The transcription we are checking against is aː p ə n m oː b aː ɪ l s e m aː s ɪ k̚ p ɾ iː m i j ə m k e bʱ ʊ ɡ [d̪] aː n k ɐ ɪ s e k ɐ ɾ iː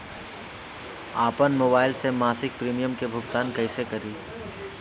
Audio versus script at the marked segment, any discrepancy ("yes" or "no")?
yes